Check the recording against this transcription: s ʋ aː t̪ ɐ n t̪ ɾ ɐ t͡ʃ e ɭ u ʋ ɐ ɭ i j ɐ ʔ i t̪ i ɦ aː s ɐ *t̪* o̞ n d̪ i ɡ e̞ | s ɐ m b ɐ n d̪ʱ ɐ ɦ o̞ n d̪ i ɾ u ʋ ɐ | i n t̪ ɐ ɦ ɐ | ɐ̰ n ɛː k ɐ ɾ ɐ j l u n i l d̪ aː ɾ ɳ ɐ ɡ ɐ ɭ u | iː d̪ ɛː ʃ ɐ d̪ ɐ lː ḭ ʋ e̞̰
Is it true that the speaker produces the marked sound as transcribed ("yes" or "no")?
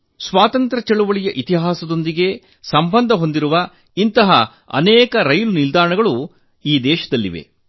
no